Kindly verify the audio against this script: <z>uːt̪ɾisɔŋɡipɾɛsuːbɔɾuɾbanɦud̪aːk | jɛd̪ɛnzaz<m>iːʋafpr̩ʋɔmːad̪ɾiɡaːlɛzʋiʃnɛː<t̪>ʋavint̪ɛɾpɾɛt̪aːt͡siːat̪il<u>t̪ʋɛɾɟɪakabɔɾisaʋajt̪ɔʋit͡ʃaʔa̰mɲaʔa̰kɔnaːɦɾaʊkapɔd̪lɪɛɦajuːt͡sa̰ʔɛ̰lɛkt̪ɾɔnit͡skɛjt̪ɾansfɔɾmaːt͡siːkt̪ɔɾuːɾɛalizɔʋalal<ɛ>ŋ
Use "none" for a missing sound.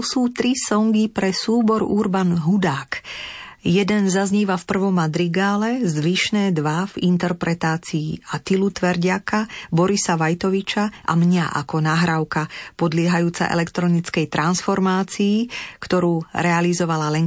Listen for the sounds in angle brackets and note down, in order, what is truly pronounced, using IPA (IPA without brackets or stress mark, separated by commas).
s, ɲ, d̪, u, ɛ